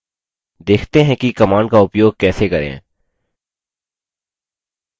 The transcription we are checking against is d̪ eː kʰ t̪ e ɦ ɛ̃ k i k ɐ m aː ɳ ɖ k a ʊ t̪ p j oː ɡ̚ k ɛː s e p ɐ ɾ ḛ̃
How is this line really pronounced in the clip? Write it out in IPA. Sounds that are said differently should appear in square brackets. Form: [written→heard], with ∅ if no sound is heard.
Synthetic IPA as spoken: d̪ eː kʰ t̪ e ɦ ɛ̃ k i k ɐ m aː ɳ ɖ k a ʊ [t̪→∅] p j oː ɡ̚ k ɛː s e [p→k] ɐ ɾ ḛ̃